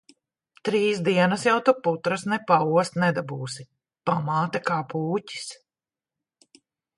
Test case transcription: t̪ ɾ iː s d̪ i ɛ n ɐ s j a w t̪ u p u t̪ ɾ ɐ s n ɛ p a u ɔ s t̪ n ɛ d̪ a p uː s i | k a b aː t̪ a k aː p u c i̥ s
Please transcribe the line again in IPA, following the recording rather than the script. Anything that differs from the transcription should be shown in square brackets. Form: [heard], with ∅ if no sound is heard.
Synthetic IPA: t̪ ɾ iː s d̪ i ɛ n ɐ s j a w t̪ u p u t̪ ɾ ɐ s n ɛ p a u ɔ s t̪ n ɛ d̪ a [b] uː s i | [p] a [m] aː t̪ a k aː p [uː] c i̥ s